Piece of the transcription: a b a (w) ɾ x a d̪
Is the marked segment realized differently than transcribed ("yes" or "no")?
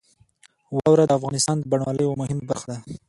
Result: yes